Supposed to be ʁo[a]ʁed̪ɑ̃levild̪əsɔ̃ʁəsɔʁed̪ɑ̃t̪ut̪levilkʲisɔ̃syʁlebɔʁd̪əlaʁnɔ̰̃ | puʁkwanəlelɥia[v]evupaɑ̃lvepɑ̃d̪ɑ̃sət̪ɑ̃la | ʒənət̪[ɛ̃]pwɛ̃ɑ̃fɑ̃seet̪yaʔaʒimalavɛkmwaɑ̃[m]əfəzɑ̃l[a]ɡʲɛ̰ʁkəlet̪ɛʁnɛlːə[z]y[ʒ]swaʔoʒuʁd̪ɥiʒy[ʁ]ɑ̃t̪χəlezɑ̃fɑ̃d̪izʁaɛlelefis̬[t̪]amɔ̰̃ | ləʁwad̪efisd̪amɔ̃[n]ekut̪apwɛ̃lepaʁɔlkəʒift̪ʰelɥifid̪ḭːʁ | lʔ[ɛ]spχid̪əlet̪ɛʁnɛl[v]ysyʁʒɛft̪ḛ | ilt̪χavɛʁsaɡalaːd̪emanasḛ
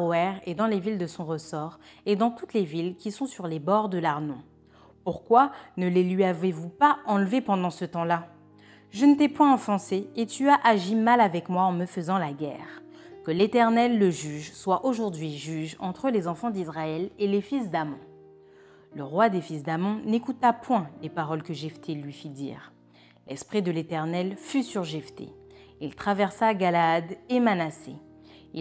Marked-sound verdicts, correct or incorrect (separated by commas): incorrect, correct, incorrect, correct, correct, incorrect, correct, incorrect, incorrect, correct, correct, incorrect